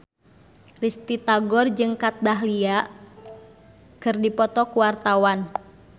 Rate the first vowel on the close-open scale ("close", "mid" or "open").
close